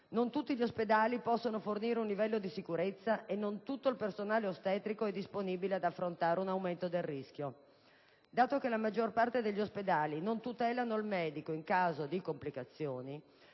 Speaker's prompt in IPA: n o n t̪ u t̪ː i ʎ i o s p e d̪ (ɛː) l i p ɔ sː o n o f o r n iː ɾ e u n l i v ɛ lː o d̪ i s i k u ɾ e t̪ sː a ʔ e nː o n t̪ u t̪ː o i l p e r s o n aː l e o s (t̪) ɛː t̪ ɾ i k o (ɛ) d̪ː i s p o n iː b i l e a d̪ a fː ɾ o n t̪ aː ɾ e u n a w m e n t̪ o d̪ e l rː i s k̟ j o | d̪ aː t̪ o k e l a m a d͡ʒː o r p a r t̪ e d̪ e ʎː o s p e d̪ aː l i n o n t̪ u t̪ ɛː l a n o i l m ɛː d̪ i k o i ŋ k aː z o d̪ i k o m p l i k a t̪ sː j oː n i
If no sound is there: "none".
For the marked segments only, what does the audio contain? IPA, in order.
aː, t̪, ɛ

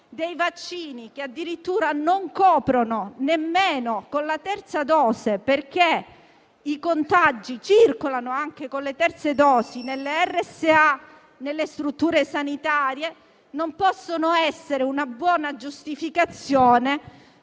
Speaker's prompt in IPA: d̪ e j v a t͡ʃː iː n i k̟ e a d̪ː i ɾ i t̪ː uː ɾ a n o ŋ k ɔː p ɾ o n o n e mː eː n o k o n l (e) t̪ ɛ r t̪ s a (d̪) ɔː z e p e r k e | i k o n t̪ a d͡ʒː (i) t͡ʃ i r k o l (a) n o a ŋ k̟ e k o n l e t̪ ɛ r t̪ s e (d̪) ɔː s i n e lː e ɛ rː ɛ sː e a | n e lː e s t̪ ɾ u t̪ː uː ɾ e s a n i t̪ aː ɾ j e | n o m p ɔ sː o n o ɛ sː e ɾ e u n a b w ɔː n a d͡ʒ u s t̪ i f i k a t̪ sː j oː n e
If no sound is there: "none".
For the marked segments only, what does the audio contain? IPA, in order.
a, d̪, i, a, d̪

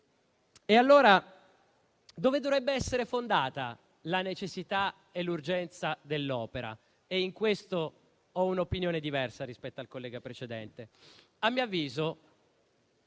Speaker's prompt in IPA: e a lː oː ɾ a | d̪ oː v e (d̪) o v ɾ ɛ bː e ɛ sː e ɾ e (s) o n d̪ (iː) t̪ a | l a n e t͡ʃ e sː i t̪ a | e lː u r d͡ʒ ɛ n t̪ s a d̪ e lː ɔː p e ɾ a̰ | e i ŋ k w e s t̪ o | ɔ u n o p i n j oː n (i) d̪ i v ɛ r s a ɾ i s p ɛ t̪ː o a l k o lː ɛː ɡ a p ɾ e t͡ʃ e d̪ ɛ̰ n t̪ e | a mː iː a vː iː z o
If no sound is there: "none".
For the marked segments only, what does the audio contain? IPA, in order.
d̪, f, aː, e

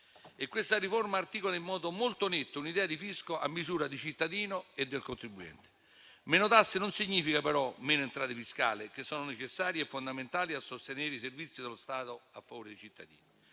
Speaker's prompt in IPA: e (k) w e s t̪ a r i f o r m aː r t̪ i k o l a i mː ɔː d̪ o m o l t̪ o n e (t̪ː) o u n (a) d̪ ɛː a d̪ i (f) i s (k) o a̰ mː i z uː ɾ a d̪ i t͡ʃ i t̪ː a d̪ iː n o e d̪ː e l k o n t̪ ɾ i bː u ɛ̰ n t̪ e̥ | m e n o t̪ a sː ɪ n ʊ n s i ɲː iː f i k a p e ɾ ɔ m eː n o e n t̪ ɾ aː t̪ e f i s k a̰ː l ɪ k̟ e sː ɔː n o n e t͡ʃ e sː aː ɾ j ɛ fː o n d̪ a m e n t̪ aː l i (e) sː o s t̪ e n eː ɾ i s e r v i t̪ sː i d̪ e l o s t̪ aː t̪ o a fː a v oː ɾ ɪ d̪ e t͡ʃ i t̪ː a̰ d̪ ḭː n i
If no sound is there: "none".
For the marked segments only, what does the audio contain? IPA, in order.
k, t̪ː, i, f, k, a

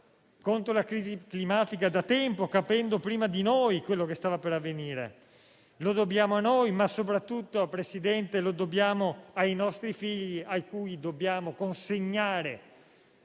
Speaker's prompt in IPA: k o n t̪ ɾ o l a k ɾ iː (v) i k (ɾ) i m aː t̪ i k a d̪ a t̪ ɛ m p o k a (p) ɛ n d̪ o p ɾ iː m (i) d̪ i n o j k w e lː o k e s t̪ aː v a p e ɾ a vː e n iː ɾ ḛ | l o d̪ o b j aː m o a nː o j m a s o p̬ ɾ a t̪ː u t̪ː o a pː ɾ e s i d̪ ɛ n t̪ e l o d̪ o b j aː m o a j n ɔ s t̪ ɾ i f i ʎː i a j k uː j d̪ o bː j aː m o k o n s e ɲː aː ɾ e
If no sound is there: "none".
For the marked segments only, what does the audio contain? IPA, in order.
z, l, p, a

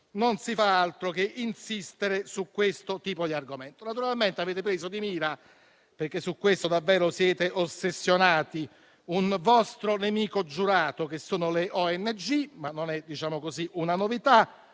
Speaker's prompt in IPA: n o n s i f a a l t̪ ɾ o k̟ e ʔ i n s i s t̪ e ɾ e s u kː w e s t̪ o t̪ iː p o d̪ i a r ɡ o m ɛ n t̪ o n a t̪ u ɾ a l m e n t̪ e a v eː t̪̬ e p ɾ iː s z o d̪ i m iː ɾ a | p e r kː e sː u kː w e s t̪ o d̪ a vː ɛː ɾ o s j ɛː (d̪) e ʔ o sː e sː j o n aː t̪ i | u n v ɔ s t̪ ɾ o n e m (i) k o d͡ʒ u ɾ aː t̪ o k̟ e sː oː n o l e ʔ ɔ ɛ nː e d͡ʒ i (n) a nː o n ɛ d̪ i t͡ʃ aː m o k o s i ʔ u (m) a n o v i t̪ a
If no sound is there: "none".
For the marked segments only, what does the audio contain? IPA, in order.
t̪, iː, m, n

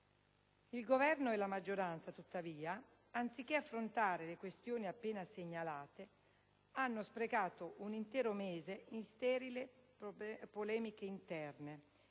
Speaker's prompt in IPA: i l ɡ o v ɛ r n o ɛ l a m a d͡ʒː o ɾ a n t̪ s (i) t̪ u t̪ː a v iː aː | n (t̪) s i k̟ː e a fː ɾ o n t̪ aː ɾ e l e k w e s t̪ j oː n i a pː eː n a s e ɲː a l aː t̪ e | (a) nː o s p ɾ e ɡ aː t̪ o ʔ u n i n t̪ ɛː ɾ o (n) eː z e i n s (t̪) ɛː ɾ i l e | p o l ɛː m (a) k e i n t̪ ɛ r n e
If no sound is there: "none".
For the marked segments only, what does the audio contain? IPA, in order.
a, t̪, a, m, t̪, i

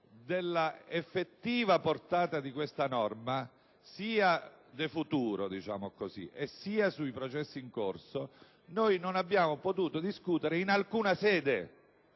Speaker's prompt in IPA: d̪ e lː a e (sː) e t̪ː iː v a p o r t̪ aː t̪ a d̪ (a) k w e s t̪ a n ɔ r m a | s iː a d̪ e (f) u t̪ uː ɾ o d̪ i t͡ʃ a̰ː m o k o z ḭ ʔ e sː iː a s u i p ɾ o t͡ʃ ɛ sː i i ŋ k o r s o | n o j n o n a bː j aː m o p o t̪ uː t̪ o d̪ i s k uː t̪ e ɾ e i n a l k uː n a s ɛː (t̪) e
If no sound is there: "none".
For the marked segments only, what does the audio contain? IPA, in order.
fː, i, f, d̪

